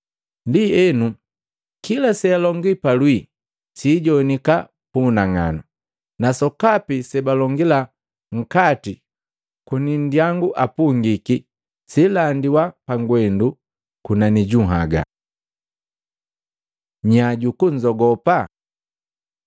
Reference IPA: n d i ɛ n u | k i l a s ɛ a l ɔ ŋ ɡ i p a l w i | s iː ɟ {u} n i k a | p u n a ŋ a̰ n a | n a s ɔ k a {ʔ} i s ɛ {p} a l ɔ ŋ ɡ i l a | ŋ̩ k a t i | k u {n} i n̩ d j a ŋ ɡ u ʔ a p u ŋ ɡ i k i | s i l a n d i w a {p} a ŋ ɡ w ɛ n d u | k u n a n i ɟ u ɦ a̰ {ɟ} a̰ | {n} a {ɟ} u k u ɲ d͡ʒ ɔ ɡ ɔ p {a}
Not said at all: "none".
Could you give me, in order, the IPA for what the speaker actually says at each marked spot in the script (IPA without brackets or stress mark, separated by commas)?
ɔ, p, b, n, p, ɡ, ɲ, ɟ, a